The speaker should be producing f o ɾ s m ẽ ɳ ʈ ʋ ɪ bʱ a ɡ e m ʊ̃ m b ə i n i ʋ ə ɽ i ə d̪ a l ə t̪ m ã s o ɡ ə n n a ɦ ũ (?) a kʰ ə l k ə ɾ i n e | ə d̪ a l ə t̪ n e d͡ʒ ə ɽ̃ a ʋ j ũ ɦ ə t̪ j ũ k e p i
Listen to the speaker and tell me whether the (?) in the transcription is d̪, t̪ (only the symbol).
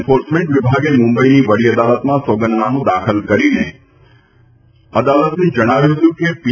d̪